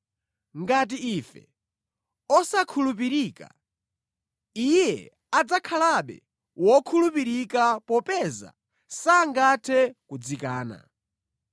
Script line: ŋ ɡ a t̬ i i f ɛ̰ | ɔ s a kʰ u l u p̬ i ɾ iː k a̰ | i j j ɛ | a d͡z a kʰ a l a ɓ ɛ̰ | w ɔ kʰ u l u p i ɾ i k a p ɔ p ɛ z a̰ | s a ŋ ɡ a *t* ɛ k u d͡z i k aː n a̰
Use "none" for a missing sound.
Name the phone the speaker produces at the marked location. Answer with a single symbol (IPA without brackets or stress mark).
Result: tʰ